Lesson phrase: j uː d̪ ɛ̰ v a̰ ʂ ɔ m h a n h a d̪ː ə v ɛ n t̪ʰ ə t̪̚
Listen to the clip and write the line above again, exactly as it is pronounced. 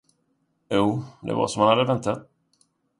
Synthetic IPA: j uː d̪ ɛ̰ v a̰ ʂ ɔ m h a n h a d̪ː ə v ɛ n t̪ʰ a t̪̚

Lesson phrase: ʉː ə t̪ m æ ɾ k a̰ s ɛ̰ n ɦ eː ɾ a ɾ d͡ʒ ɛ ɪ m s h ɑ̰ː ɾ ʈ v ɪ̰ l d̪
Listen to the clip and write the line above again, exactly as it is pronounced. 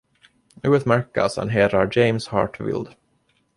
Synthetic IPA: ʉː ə t̪ m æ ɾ k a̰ s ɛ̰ n ɦ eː ɾ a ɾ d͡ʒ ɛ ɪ m s h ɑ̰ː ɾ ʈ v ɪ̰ l d̪

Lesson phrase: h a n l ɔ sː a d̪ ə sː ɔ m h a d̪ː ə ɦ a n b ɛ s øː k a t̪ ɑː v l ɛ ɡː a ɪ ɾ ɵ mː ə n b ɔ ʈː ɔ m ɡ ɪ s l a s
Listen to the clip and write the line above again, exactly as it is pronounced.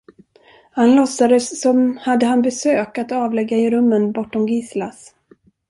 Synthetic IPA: h a n l ɔ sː a d̪ ə sː ɔ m h a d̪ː ə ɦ a n b ɛ s øː k a t̪ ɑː v l ɛ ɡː a ɪ ɾ ɵ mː ə n b ɔ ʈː ɔ m ɡ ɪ s l a s

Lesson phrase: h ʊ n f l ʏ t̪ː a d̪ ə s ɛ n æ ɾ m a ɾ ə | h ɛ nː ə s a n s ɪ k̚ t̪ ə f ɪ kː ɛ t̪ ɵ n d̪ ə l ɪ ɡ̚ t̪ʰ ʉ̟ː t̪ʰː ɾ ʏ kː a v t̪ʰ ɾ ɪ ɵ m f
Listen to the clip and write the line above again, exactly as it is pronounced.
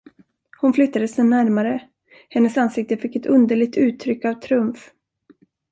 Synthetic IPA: h ʊ n f l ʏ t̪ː a d̪ ə s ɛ n æ ɾ m a ɾ ə | h ɛ nː ə s a n s ɪ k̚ t̪ ə f ɪ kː ɛ t̪ ɵ n d̪ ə ɭ ɪ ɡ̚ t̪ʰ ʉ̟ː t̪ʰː ɾ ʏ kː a v t̪ʰ ɾ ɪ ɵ m f

